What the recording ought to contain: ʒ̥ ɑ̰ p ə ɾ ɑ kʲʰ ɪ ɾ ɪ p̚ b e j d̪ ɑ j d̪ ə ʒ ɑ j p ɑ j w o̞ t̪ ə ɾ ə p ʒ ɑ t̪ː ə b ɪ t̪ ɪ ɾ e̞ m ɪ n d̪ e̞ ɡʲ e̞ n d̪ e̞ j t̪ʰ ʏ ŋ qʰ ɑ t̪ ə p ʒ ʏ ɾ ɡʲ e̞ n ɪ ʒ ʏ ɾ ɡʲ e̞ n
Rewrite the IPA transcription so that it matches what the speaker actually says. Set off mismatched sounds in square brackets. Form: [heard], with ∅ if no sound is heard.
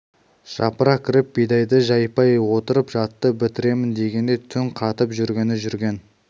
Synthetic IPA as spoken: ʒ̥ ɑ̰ p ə ɾ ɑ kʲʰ ɪ ɾ ɪ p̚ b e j d̪ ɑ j d̪ ə ʒ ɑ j p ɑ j w o̞ t̪ ə ɾ ə p ʒ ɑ t̪ː ə b ɪ t̪ ɪ ɾ e̞ m ɪ n d̪ e̞ ɡʲ e̞ n d̪ e̞ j t̪ʰ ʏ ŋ qʰ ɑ t̪ ə p ʒ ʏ ɾ ɡʲ e̞ n ɪ ʒ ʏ ɾ ɡʲ e̞ n

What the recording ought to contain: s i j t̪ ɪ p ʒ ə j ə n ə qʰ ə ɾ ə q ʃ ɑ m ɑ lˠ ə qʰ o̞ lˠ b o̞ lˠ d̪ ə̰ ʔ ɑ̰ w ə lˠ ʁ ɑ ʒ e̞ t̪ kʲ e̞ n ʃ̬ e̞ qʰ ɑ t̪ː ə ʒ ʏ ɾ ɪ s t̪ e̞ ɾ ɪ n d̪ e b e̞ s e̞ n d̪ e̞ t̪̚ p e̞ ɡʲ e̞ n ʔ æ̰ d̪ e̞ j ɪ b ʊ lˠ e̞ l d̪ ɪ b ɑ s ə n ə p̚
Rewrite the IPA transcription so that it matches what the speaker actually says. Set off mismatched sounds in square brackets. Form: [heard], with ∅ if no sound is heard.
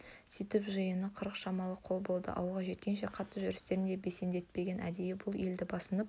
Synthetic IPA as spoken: s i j t̪ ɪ p ʒ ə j ə n ə qʰ ə ɾ ə q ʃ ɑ m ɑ lˠ ə qʰ o̞ lˠ b o̞ lˠ d̪ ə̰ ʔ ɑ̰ w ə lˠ ʁ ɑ ʒ e̞ t̪ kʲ e̞ n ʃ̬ e̞ qʰ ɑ t̪ː ə ʒ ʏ ɾ ɪ s t̪ e̞ ɾ ɪ n d̪ e b e̞ s e̞ n d̪ e̞ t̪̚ p e̞ ɡʲ e̞ n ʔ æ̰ d̪ e̞ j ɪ b ʊ lˠ e̞ l d̪ ɪ b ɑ s ə n ə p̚

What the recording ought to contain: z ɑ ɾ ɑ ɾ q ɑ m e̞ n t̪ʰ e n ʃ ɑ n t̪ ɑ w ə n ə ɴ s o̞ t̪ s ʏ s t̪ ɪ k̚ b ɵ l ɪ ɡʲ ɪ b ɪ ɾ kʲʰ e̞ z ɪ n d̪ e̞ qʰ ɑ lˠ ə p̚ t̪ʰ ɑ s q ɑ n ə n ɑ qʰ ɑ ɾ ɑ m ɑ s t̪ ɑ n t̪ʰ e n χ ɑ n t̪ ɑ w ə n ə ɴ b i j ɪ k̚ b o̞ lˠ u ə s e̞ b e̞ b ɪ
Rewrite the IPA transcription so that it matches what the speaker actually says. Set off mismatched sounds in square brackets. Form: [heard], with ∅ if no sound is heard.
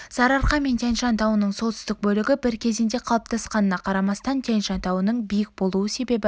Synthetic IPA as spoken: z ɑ ɾ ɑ ɾ q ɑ m e̞ n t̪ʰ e n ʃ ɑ n t̪ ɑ w ə n ə ɴ s o̞ t̪ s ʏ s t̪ ɪ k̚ b ɵ l ɪ ɡʲ ɪ b ɪ ɾ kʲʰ e̞ z ɪ n d̪ e̞ qʰ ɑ lˠ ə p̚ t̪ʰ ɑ s q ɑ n ə n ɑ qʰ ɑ ɾ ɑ m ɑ s t̪ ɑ n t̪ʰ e n [ʃ] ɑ n t̪ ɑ w ə n ə ɴ b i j ɪ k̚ b o̞ lˠ u ə s e̞ b e̞ b ɪ

